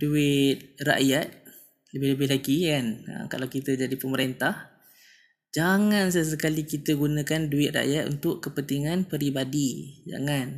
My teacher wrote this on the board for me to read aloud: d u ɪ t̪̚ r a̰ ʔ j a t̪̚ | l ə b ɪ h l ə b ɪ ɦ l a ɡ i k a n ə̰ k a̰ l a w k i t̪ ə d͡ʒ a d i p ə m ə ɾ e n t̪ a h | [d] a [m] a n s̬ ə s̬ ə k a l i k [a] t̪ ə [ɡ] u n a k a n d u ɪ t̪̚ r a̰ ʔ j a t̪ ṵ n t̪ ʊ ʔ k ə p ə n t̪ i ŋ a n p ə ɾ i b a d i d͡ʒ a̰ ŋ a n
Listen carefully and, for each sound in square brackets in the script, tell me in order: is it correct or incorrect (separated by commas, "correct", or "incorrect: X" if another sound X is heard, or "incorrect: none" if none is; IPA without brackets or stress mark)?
incorrect: d͡ʒ, incorrect: ŋ, incorrect: i, correct